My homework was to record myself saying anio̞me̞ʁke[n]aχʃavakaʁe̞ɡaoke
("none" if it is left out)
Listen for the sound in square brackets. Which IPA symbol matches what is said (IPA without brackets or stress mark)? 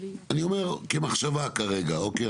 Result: m